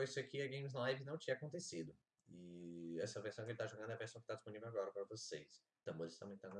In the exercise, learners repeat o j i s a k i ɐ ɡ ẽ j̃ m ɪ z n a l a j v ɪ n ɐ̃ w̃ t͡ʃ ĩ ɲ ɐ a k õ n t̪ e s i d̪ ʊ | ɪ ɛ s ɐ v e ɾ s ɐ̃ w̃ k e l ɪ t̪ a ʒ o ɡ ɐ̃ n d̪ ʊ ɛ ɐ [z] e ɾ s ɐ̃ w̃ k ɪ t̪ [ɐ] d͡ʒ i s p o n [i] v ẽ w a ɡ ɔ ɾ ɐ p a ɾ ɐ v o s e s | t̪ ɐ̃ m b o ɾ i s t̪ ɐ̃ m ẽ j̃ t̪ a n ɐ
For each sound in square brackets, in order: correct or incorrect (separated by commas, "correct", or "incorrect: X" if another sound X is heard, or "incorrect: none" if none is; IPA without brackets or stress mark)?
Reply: incorrect: v, incorrect: a, correct